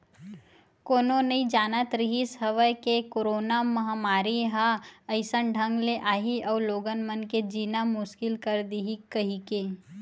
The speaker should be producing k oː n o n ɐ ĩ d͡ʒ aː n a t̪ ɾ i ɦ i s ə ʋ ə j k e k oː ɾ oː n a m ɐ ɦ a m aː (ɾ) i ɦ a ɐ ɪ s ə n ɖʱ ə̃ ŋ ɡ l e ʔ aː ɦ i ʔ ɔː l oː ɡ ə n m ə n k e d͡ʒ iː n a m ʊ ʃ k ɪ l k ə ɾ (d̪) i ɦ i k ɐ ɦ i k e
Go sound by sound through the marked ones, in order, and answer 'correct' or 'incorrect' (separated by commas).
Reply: correct, correct